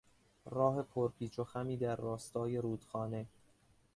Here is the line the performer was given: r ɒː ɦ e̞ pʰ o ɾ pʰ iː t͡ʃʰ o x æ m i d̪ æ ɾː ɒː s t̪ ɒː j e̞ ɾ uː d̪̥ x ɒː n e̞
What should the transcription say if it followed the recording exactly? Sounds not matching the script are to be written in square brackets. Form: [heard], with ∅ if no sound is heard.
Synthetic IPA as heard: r ɒː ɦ e̞ pʰ o ɾ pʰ iː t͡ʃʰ o x æ m [iː] d̪ æ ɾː ɒː s t̪ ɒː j e̞ ɾ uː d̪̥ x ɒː n e̞